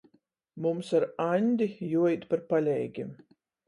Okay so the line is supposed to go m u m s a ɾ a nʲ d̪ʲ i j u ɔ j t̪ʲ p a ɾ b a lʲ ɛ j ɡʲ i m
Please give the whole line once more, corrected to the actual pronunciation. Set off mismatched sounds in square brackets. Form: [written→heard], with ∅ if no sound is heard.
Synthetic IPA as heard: m u m s a ɾ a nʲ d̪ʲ i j u ɔ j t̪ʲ p a ɾ [b→p] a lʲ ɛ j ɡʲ i m